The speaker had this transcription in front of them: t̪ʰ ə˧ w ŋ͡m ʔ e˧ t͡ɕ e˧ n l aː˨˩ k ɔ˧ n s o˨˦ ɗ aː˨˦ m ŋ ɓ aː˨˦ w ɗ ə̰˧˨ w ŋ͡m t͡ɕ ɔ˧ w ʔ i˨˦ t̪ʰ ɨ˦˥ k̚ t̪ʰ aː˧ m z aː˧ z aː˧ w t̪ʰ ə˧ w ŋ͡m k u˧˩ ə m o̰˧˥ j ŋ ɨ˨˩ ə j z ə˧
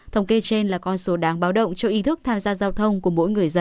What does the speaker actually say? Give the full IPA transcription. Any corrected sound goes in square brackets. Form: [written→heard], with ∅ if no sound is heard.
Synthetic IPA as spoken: t̪ʰ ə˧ w ŋ͡m [ʔ→k] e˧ t͡ɕ e˧ n l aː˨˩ k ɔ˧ n s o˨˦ ɗ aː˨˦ [m→∅] ŋ ɓ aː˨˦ w ɗ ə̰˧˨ w ŋ͡m t͡ɕ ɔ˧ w ʔ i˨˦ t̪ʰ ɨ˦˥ k̚ t̪ʰ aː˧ m z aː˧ z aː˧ w t̪ʰ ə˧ w ŋ͡m k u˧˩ ə m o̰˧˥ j ŋ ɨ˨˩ ə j z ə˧

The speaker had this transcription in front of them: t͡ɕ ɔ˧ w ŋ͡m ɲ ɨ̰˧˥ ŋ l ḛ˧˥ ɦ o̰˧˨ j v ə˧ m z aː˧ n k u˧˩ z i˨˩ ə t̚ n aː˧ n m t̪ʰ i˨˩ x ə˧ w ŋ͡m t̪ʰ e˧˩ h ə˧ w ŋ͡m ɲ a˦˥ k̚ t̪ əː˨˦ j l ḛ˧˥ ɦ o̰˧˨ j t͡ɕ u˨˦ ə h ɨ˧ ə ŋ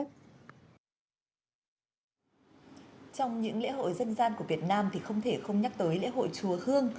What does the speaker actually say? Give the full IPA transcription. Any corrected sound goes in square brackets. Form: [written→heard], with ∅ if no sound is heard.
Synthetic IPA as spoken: t͡ɕ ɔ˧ w ŋ͡m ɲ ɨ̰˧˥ ŋ l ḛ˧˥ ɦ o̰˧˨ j [v→z] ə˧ [m→n] z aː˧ n k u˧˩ [z→v] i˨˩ ə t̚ n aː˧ [n→∅] m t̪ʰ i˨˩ x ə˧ w ŋ͡m t̪ʰ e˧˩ [h→x] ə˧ w ŋ͡m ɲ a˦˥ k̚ t̪ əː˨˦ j l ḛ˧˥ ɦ o̰˧˨ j t͡ɕ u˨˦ ə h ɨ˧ ə ŋ

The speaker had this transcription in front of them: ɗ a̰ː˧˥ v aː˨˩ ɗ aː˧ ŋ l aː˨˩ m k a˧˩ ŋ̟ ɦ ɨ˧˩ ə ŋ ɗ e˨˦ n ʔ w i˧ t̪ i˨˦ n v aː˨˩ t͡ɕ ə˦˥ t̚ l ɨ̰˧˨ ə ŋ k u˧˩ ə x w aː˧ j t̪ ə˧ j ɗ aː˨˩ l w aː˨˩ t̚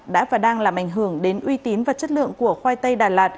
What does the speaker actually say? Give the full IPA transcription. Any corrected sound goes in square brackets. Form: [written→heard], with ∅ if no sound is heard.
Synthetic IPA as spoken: ɗ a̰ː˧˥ v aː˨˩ ɗ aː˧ ŋ l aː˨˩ m [k→ʔ] a˧˩ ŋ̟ ɦ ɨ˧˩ ə ŋ ɗ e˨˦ n ʔ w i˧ t̪ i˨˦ n v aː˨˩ t͡ɕ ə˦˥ t̚ l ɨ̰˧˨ ə ŋ k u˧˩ ə x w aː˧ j t̪ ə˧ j ɗ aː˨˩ l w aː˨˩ t̚

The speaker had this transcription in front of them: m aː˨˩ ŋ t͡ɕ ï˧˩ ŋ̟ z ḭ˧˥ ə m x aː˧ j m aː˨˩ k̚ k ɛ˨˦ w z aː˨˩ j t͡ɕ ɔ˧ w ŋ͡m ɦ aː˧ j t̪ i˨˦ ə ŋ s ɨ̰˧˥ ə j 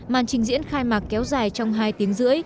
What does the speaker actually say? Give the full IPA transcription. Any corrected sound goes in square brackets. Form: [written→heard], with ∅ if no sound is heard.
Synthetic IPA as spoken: m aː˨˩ [ŋ→n] t͡ɕ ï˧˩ ŋ̟ z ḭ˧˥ ə [m→n] x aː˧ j m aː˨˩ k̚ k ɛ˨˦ w z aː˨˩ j t͡ɕ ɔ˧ w ŋ͡m ɦ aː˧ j t̪ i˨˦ ə ŋ [s→z] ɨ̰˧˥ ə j

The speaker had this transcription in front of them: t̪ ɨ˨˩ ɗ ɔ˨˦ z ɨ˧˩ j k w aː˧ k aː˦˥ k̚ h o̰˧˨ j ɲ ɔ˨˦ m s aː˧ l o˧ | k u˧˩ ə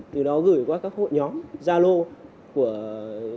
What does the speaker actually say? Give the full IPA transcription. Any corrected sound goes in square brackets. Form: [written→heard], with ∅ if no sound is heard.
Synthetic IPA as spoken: t̪ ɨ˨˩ ɗ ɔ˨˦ [z→ɣ] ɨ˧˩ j k w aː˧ k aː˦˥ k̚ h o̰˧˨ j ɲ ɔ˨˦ m [s→z] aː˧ l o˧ | k u˧˩ ə

